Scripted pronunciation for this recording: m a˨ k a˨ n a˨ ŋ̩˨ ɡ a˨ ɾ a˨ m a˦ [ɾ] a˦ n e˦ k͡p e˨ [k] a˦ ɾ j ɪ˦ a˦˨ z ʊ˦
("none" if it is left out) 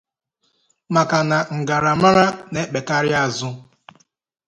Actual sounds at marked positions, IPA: ɾ, k

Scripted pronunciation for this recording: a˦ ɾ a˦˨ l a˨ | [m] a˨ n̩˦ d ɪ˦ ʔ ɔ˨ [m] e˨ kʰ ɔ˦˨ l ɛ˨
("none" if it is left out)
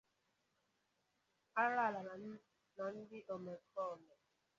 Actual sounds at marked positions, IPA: n, m

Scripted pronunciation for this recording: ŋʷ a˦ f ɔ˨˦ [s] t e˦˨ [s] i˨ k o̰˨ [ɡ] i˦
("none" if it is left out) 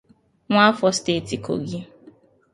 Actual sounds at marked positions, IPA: s, t, ɡ

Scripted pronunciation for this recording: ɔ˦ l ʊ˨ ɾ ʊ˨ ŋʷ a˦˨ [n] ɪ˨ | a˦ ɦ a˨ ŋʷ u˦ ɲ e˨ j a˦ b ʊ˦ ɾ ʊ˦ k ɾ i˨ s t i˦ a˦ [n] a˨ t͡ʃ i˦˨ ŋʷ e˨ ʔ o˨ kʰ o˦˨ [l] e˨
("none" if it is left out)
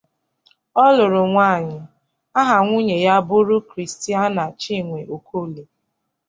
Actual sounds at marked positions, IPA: ɲ, n, l

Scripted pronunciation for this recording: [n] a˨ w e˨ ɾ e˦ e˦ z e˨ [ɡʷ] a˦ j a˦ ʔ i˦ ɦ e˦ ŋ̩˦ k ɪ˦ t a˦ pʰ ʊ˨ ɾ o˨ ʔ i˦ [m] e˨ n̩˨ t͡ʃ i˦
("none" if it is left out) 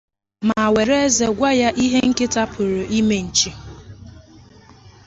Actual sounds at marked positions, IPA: m, ɡʷ, m

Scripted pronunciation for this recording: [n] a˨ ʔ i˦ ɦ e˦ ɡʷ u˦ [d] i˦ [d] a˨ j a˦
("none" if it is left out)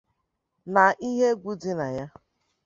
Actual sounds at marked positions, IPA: n, d, n

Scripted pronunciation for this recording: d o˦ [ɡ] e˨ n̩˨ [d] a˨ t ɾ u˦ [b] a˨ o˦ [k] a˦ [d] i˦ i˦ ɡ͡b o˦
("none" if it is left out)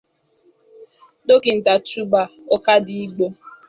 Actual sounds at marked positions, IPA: k, t, b, k, d

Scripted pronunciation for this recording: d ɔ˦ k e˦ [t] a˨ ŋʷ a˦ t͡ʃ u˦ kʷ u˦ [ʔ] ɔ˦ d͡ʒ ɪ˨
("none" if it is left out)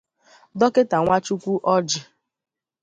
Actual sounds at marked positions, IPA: t, ʔ

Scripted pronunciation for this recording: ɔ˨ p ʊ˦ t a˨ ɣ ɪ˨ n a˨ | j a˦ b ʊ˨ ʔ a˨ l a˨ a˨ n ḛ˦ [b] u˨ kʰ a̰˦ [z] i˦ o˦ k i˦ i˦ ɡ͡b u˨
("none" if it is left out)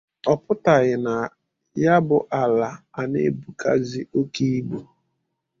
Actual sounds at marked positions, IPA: b, z

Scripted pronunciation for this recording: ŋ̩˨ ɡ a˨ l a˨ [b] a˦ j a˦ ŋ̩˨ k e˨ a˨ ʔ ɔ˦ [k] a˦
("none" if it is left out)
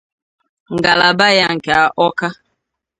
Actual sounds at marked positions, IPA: b, k

